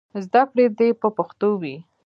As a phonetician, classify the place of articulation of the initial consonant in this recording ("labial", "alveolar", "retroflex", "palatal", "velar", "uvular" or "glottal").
alveolar